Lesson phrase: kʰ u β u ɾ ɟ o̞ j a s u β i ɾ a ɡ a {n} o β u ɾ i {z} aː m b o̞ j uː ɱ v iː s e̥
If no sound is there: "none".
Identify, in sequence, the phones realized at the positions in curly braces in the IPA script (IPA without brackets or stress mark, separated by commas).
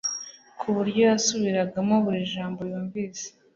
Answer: m, ʒ